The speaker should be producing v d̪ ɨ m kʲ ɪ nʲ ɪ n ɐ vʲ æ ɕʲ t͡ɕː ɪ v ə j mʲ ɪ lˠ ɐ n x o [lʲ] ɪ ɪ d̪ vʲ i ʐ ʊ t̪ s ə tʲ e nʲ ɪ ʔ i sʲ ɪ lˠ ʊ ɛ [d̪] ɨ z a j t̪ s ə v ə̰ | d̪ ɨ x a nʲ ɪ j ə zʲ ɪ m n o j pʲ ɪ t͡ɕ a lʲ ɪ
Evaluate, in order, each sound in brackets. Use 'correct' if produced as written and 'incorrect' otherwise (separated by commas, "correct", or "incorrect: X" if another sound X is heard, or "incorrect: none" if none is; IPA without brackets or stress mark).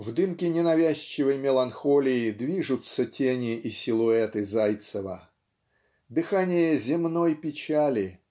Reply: correct, incorrect: t̪